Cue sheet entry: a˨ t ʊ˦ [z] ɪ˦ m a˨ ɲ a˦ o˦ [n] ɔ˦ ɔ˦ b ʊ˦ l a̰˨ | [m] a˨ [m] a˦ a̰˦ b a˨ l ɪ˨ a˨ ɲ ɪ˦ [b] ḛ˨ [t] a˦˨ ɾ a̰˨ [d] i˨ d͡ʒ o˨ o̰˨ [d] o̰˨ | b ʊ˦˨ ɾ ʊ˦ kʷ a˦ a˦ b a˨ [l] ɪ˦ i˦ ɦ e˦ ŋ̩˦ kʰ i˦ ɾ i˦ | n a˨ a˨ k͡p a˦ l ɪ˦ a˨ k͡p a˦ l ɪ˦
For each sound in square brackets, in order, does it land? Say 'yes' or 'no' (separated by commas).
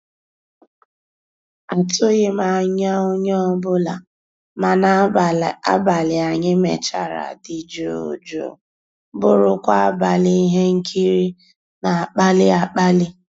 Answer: no, no, yes, no, no, no, yes, no, yes